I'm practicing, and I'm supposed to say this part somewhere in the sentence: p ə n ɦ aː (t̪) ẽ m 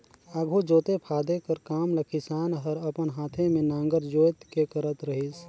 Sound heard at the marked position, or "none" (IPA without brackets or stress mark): t̪ʰ